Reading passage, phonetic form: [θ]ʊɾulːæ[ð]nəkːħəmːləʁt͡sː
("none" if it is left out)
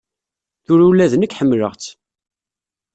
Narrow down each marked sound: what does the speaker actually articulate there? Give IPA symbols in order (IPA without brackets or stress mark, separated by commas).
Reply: θ, ð